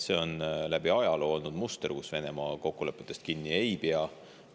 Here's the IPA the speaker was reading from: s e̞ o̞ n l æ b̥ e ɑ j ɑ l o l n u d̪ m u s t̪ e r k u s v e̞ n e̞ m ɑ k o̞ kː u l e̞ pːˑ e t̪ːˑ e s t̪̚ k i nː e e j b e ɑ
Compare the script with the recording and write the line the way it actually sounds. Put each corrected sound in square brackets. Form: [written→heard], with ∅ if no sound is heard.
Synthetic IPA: s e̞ o̞ n l æ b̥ [e→i] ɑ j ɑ l o l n u d̪ m u s t̪ e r k u s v e̞ n e̞ m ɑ k o̞ kː u l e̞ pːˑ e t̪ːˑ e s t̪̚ k i nː [e→i] e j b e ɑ